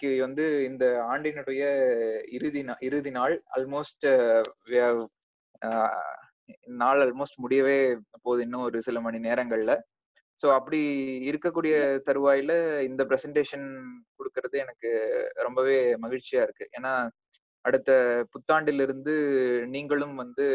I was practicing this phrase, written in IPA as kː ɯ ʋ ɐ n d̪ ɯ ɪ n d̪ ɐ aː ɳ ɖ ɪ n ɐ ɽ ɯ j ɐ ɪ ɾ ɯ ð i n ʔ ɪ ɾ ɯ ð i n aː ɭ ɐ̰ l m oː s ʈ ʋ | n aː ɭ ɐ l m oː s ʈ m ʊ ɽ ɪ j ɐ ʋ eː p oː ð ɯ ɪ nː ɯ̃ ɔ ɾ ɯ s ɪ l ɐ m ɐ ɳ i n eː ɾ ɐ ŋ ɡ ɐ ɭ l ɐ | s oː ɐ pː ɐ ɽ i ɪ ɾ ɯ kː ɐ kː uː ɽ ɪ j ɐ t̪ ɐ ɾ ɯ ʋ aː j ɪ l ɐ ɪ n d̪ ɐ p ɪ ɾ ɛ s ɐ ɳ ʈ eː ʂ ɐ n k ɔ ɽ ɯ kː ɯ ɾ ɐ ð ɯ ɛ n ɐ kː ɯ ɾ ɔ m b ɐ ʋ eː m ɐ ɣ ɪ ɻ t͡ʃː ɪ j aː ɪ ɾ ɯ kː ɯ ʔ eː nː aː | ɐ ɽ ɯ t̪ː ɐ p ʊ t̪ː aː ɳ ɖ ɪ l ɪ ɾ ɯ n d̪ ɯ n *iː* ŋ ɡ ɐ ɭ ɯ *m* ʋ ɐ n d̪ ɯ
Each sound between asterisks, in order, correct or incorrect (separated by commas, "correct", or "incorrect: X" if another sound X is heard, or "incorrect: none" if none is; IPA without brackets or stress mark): correct, correct